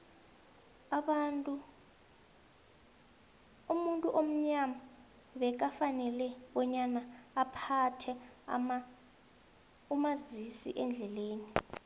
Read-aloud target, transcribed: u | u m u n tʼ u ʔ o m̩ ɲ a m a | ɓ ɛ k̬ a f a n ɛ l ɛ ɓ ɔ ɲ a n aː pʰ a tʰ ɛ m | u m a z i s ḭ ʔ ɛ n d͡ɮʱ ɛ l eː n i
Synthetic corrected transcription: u | u m u n tʼ u ʔ o m̩ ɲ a m a | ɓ ɛ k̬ a f a n ɛ l ɛ ɓ ɔ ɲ a n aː pʰ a tʰ ɛ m | u m a z i s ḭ ʔ ɛ n d͡ɮʱ ɛ l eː n i